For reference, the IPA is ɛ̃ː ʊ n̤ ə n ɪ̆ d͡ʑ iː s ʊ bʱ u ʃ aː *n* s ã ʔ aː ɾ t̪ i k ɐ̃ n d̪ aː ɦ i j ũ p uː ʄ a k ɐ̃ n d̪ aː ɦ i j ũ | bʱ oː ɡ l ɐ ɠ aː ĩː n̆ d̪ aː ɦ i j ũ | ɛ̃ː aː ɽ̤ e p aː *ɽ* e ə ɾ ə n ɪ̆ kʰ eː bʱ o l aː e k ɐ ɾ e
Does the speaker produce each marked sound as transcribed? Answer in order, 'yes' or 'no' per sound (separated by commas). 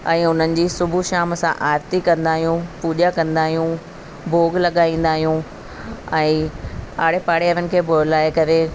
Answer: no, yes